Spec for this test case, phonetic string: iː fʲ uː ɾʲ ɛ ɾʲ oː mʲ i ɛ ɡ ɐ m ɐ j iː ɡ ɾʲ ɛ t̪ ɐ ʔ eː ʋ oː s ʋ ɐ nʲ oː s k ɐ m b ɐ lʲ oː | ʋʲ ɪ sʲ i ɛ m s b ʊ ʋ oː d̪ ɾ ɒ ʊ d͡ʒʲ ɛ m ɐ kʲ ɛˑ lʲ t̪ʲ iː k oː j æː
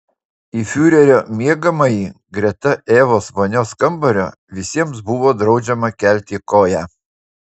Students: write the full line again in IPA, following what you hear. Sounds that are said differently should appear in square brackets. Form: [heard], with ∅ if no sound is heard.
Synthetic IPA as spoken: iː fʲ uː ɾʲ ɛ ɾʲ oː mʲ i ɛ ɡ ɐ m ɐ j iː ɡ ɾʲ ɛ t̪ ɐ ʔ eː ʋ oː s ʋ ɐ nʲ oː s k ɐ m b ɐ [ɾʲ] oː | ʋʲ ɪ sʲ i ɛ m s b ʊ ʋ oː d̪ ɾ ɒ ʊ d͡ʒʲ ɛ m ɐ kʲ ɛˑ lʲ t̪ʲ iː k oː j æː

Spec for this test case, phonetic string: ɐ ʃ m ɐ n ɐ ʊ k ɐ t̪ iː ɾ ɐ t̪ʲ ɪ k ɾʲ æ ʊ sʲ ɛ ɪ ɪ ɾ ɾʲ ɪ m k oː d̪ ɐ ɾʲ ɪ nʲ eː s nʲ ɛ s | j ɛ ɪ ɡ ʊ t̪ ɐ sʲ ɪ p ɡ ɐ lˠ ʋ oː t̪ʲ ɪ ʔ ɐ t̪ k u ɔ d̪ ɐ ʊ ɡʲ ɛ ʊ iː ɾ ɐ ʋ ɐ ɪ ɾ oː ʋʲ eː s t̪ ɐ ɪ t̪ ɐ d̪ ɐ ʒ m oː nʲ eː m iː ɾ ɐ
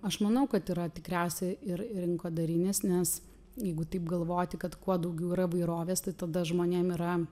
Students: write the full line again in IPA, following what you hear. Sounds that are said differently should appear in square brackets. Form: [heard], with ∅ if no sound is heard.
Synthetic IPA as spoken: ɐ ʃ m ɐ n ɐ ʊ k ɐ t̪ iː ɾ ɐ t̪ʲ ɪ k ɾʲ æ ʊ sʲ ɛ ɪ ɪ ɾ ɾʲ ɪ [ŋ] k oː d̪ ɐ ɾʲ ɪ nʲ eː s nʲ ɛ s | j ɛ ɪ ɡ ʊ t̪ ɐ [∅] ɪ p ɡ ɐ lˠ ʋ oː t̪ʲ ɪ [k] ɐ t̪ k u ɔ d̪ ɐ ʊ ɡʲ ɛ ʊ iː ɾ ɐ ʋ ɐ ɪ ɾ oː ʋʲ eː s t̪ ɐ ɪ t̪ ɐ d̪ ɐ ʒ m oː nʲ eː m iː ɾ ɐ

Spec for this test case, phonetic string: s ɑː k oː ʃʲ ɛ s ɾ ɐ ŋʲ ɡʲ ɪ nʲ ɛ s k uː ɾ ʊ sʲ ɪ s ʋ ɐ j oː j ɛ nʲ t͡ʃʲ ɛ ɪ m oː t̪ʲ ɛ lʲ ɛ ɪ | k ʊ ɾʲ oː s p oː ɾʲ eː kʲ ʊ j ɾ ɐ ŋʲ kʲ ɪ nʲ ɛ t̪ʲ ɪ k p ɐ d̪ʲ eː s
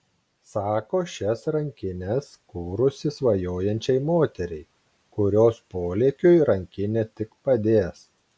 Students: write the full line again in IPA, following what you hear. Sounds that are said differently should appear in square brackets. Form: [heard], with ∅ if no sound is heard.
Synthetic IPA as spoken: s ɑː k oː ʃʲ ɛ s ɾ ɐ ŋʲ [kʲ] ɪ nʲ ɛ s k uː ɾ ʊ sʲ ɪ s ʋ ɐ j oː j ɛ nʲ t͡ʃʲ ɛ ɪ m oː t̪ʲ ɛ [ɾʲ] ɛ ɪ | k ʊ ɾʲ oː s p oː [lʲ] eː kʲ ʊ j ɾ ɐ ŋʲ kʲ ɪ nʲ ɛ t̪ʲ ɪ k p ɐ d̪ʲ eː s

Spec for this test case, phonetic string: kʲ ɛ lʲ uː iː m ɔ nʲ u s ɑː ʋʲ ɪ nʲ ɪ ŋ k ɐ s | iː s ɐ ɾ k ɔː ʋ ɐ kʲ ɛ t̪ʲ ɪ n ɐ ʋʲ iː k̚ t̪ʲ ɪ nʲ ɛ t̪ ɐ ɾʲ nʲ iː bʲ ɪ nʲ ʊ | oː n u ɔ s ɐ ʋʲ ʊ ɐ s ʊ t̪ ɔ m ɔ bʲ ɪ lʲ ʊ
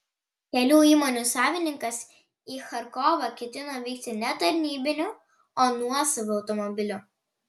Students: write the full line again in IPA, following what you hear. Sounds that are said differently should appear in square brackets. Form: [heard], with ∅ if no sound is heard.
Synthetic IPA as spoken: kʲ ɛ lʲ uː iː m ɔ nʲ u s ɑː ʋʲ ɪ nʲ ɪ ŋ k ɐ s | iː [x] ɐ ɾ k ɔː ʋ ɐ kʲ ɛ t̪ʲ ɪ n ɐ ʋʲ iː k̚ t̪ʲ ɪ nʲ ɛ t̪ ɐ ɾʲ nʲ iː bʲ ɪ nʲ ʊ | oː n u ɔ s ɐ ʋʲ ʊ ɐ [∅] ʊ t̪ ɔ m ɔ bʲ ɪ lʲ ʊ

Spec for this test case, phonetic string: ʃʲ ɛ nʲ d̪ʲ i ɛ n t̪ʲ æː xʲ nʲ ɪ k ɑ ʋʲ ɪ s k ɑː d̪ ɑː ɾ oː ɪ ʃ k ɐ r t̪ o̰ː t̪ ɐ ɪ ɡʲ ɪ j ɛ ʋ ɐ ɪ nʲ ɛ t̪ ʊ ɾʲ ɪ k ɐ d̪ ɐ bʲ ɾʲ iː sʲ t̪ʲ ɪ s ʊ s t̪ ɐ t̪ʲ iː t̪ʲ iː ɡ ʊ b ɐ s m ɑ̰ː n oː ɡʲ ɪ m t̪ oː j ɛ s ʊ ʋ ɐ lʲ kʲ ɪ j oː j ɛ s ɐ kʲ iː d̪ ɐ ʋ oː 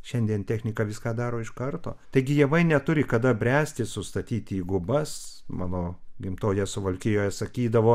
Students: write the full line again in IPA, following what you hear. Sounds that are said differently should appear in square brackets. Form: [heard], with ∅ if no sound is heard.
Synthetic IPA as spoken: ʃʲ ɛ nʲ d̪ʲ i ɛ n t̪ʲ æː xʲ nʲ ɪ k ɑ ʋʲ ɪ s k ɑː d̪ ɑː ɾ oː ɪ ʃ k ɐ r t̪ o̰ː t̪ ɐ ɪ ɡʲ ɪ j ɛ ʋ ɐ ɪ nʲ ɛ t̪ ʊ ɾʲ ɪ k ɐ d̪ ɐ bʲ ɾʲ [æː] sʲ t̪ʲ ɪ s ʊ s t̪ ɐ t̪ʲ iː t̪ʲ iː ɡ ʊ b ɐ s m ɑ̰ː n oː ɡʲ ɪ m t̪ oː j ɛ s ʊ ʋ ɐ lʲ kʲ ɪ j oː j ɛ s ɐ kʲ iː d̪ ɐ ʋ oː

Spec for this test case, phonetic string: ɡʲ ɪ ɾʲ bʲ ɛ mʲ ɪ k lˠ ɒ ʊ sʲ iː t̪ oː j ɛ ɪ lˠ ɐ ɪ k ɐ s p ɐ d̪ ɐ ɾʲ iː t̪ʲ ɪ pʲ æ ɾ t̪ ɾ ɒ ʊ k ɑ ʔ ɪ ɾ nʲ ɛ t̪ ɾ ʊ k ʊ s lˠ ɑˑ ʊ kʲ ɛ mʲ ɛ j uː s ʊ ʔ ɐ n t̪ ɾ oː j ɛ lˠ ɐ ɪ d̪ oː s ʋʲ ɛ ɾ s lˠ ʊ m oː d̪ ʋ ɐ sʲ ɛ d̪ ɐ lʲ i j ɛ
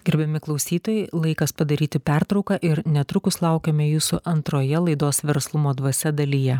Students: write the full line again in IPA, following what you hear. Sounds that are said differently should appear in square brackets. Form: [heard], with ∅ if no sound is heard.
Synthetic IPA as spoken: ɡʲ ɪ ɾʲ bʲ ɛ mʲ ɪ k lˠ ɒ ʊ sʲ iː t̪ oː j ɛ ɪ lˠ ɐ ɪ k ɐ s p ɐ d̪ ɐ ɾʲ iː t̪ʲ ɪ pʲ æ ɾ t̪ ɾ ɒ ʊ k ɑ ʔ ɪ ɾ nʲ ɛ t̪ ɾ ʊ k ʊ s lˠ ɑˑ ʊ kʲ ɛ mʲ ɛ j uː s ʊ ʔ ɐ n t̪ ɾ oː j ɛ lˠ ɐ ɪ d̪ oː s ʋʲ ɛ ɾ s lˠ ʊ m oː d̪ ʋ ɐ sʲ ɛ d̪ ɐ lʲ i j ɛ

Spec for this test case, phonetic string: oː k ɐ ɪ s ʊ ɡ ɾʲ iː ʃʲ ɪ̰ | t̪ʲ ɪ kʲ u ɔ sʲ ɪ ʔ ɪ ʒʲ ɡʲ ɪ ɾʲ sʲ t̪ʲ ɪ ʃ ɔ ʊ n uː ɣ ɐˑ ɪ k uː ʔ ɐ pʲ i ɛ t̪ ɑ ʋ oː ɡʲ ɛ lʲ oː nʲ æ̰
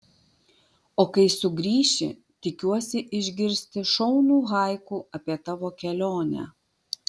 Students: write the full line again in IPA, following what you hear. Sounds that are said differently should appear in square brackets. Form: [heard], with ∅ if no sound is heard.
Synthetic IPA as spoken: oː k ɐ ɪ s ʊ ɡ ɾʲ iː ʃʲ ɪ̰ | t̪ʲ ɪ kʲ u ɔ sʲ ɪ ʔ ɪ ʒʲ ɡʲ ɪ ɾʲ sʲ t̪ʲ ɪ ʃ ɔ ʊ n uː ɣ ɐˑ ɪ k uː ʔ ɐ pʲ i ɛ t̪ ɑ ʋ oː [kʲ] ɛ lʲ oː nʲ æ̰

